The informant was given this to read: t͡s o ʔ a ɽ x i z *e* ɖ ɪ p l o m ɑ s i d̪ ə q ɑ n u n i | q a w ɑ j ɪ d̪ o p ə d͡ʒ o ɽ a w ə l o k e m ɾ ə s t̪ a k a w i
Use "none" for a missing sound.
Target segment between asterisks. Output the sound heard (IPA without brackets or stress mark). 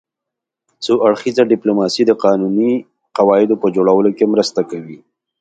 a